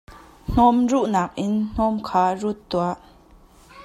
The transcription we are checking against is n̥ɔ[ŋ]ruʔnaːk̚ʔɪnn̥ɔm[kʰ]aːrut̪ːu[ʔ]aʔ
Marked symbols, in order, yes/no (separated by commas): no, yes, no